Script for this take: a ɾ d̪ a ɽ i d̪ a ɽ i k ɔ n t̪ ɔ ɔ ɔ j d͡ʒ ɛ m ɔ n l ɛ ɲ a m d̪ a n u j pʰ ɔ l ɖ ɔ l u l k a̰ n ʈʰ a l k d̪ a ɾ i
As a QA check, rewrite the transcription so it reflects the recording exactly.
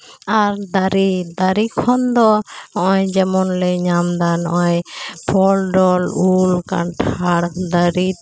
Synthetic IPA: a ɾ d̪ a ɾ i d̪ a ɾ i kʰ ɔ n d̪ ɔ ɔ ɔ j d͡ʒ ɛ m ɔ n l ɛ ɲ a m d̪ a n ɔ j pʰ ɔ l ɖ ɔ l u l k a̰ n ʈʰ a ɽ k d̪ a ɾ i